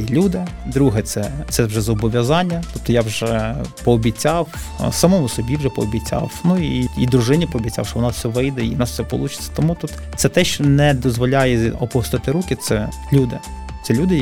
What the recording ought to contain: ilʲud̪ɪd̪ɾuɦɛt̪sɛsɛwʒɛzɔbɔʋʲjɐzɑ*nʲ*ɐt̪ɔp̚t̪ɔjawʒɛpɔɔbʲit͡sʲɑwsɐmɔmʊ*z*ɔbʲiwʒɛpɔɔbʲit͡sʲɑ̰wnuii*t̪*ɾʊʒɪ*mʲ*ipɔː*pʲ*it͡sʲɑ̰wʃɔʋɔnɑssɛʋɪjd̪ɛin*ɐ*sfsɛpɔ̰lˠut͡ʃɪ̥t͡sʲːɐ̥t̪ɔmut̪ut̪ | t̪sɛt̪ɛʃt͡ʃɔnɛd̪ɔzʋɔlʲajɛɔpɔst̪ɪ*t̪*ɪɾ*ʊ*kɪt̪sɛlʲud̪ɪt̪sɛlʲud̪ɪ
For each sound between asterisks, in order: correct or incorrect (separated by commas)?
incorrect, incorrect, incorrect, incorrect, incorrect, incorrect, correct, incorrect